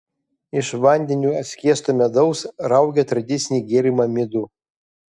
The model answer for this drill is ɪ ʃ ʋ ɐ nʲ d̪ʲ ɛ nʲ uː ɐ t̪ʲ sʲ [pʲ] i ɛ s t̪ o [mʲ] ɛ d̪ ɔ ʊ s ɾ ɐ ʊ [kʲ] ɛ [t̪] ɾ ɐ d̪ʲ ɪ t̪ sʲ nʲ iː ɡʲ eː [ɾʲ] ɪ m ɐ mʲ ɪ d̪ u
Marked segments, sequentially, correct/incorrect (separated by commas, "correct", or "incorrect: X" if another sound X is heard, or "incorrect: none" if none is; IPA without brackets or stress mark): incorrect: kʲ, correct, incorrect: ɡʲ, correct, correct